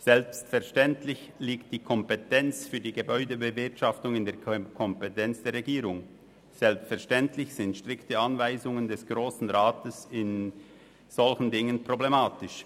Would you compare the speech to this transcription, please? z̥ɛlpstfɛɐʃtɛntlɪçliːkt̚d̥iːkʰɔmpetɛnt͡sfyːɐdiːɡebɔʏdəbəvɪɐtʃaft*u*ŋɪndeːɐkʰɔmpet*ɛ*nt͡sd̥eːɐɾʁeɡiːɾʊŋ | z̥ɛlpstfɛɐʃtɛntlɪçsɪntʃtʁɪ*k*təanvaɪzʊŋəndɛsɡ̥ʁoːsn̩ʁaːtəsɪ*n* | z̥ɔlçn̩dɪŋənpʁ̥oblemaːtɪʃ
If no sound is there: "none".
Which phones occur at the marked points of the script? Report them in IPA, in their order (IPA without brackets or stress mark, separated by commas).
ʊ, ɛ, k, n